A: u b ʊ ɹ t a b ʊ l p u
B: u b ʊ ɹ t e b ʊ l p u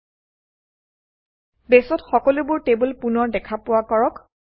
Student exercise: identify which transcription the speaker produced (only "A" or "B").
B